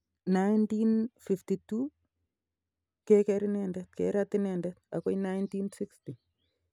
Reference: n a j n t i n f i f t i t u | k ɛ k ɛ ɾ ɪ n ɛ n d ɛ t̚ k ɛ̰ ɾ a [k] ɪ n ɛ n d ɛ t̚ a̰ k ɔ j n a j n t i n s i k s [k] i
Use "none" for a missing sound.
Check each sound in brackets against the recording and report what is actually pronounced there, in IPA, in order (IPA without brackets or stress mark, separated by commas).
t, t